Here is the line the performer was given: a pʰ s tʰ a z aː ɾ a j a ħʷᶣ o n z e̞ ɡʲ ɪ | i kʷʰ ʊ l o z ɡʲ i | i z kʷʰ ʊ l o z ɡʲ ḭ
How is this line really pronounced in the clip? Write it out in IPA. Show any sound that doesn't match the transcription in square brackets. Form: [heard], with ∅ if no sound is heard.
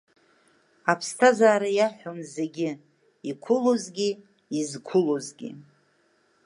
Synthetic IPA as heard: a pʰ s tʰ a z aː ɾ a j a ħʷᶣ o n z e̞ ɡʲ ɪ | i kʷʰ ʊ l o z ɡʲ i | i z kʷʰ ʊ l o z ɡʲ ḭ